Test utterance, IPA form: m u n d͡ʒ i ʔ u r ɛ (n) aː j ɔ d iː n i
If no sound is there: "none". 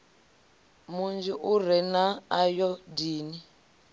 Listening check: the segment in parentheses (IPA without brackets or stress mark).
n